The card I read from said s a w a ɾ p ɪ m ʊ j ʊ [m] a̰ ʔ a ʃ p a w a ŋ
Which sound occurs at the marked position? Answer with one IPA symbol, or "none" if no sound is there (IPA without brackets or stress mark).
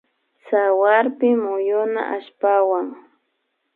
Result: n